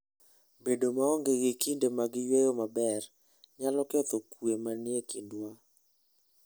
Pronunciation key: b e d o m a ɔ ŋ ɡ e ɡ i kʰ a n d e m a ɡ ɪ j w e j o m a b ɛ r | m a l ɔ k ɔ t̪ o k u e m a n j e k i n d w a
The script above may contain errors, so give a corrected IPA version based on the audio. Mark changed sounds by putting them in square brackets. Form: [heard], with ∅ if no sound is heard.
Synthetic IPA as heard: b e d o m a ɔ ŋ ɡ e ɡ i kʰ [i] n d e m a ɡ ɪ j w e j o m a b ɛ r | [ɲ] a l ɔ k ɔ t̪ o k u e m a n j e k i n d w a